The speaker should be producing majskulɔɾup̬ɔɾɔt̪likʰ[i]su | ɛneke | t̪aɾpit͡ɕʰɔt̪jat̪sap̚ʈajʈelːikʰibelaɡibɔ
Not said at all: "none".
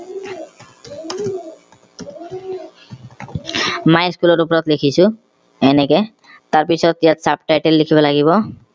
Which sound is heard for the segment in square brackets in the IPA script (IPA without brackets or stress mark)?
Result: i